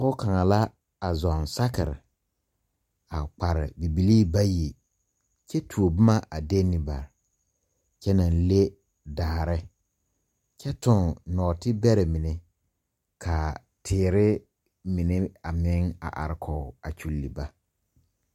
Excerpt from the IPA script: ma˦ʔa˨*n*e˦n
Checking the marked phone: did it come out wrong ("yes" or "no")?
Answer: yes